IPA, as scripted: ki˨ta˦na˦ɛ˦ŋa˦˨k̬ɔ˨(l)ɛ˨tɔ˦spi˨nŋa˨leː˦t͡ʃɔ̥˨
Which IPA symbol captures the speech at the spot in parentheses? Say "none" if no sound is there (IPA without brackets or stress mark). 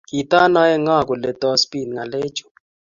l